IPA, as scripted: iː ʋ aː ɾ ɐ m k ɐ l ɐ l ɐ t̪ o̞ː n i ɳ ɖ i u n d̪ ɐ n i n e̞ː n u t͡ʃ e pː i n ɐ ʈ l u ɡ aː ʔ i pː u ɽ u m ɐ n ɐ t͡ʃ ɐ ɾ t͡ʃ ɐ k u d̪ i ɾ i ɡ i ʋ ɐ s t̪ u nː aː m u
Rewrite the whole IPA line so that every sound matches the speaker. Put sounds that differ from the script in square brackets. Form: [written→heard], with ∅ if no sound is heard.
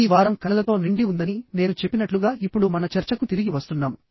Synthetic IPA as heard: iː ʋ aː ɾ ɐ m k ɐ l ɐ l ɐ t̪ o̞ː n i ɳ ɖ i u n d̪ ɐ n i n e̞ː n u t͡ʃ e pː i n ɐ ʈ l u ɡ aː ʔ i pː u ɽ u m ɐ n ɐ t͡ʃ ɐ ɾ t͡ʃ ɐ k u [d̪→t̪] i ɾ i ɡ i ʋ ɐ s t̪ u nː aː m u